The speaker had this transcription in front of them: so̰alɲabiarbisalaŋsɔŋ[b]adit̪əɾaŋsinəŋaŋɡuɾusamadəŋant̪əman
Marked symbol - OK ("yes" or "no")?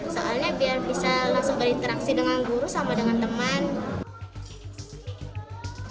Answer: yes